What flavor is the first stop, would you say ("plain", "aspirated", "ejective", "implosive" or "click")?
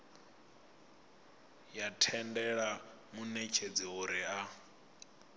aspirated